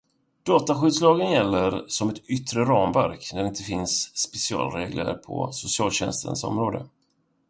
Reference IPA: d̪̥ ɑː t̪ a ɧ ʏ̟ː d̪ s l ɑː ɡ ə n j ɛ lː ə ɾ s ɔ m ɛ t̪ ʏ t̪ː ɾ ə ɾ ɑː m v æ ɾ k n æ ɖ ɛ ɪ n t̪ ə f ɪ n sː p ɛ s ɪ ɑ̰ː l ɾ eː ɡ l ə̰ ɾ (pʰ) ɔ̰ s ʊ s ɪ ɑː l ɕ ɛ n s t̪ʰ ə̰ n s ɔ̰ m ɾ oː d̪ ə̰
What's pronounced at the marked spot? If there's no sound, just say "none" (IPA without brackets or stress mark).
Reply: pʰ